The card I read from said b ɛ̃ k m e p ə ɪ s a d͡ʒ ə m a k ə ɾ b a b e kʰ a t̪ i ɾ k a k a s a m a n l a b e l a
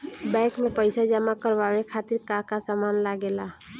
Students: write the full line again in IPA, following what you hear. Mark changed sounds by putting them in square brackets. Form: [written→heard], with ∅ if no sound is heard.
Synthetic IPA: b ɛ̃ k m e p ə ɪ s a d͡ʒ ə m a k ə ɾ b a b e kʰ a t̪ i ɾ k a k a s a m a n l a [b→ɡ] e l a